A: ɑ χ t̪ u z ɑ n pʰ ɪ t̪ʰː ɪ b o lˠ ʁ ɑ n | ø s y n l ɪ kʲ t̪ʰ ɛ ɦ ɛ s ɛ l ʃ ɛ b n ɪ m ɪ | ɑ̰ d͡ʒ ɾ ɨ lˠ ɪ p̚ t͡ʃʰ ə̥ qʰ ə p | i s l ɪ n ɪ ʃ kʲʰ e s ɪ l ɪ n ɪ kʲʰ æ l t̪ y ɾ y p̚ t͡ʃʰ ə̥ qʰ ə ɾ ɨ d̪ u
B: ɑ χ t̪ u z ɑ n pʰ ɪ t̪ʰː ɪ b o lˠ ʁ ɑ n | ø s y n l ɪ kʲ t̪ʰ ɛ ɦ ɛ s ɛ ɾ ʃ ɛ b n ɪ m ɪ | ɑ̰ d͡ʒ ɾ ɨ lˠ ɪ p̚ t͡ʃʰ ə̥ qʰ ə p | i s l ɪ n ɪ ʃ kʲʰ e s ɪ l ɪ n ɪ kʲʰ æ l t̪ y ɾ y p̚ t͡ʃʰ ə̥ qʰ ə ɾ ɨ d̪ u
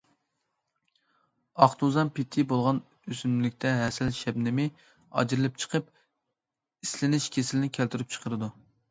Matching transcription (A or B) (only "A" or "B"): A